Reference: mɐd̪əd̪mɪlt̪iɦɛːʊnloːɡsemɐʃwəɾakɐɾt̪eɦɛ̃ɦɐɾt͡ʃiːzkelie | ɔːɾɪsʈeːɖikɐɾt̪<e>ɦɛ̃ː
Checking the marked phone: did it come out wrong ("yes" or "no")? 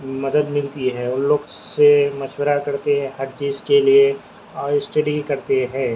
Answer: no